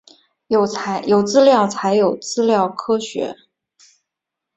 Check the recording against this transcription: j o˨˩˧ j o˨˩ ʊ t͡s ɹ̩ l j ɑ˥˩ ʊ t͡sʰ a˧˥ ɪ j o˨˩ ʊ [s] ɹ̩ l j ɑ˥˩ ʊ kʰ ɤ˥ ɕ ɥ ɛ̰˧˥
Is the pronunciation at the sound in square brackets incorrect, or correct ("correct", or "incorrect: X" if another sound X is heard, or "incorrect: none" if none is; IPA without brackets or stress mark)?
incorrect: t͡s